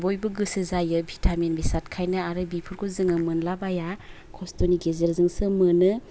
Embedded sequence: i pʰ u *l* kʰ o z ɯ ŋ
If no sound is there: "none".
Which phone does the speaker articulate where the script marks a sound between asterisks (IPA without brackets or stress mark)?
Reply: ɾ